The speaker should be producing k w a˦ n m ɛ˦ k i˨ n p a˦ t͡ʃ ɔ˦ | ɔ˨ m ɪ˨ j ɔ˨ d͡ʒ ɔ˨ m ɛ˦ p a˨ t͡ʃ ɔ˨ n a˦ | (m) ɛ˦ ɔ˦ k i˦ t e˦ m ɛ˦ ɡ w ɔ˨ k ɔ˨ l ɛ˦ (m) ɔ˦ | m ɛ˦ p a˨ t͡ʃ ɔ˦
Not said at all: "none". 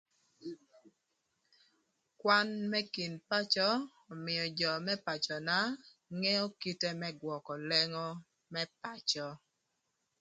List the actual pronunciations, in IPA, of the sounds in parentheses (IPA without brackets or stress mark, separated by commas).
ŋ, ŋ